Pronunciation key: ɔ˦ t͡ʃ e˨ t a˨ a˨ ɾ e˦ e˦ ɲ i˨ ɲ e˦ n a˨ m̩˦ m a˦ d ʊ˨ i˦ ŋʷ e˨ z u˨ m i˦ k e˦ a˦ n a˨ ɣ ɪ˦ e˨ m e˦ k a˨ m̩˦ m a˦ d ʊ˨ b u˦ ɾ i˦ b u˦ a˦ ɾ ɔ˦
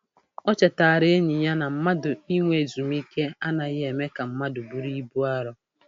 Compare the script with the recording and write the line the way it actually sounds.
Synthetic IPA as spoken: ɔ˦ t͡ʃ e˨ t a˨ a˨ ɾ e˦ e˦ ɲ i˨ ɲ a˦ n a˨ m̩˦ m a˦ d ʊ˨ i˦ ŋʷ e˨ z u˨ m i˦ k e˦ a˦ n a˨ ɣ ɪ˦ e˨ m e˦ k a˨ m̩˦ m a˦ d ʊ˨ b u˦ ɾ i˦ b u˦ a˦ ɾ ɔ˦